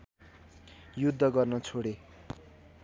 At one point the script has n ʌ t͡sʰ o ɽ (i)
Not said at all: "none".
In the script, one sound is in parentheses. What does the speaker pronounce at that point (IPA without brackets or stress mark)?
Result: e